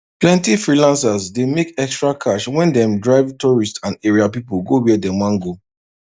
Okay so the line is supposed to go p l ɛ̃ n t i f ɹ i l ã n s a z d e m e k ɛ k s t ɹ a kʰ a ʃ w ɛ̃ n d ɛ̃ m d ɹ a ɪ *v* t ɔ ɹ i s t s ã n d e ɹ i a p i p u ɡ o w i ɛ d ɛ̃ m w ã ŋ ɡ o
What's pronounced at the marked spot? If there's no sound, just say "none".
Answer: v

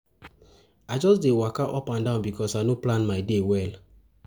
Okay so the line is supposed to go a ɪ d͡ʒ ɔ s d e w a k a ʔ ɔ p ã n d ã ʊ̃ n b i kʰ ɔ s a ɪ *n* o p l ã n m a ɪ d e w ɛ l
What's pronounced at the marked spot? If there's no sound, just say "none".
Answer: n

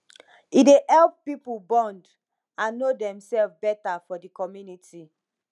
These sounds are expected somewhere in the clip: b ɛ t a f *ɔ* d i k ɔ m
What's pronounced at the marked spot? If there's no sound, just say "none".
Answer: ɔ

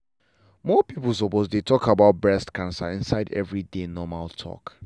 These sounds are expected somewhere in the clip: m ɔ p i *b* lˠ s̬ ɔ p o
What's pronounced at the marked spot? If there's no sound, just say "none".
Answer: p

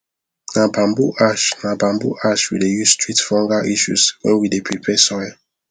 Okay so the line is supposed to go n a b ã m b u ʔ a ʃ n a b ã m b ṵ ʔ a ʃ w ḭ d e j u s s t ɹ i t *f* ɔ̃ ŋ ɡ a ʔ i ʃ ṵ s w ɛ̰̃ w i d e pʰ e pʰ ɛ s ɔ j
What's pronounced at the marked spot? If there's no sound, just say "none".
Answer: f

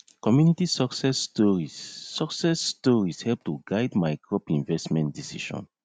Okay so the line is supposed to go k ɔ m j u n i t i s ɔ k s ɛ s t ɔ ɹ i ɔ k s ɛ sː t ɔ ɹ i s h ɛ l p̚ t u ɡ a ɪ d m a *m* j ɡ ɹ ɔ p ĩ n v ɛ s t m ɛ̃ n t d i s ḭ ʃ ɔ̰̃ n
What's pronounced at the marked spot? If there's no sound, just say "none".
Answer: none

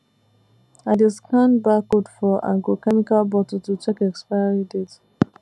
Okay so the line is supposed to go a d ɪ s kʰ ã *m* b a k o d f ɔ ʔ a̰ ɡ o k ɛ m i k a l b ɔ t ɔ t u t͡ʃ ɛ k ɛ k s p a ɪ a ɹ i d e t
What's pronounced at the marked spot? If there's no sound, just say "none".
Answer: n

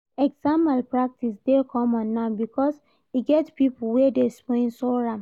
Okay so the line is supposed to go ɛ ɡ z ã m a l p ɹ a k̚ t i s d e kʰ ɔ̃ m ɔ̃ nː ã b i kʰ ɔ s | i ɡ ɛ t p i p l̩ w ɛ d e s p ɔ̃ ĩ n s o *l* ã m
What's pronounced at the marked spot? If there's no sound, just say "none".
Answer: ɹ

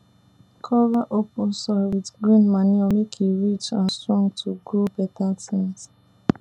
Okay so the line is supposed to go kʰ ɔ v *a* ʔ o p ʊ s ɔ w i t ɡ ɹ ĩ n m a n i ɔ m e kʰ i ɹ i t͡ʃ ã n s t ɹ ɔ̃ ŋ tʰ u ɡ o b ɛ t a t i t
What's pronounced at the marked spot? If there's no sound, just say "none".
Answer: a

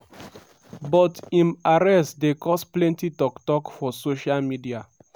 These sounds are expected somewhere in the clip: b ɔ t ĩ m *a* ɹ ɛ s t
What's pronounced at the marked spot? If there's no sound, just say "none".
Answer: a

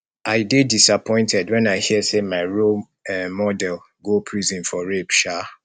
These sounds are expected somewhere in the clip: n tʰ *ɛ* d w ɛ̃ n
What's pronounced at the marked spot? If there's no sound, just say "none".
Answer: ɛ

